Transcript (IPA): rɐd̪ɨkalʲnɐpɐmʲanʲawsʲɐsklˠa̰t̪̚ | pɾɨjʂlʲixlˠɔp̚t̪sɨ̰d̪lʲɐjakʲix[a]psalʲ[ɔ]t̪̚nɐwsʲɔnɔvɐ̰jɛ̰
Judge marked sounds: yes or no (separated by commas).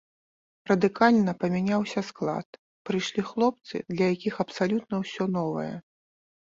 no, no